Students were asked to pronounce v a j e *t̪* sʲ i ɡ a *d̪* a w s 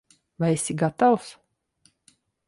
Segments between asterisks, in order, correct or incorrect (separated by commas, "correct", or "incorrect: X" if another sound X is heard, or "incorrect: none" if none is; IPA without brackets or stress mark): incorrect: none, incorrect: t̪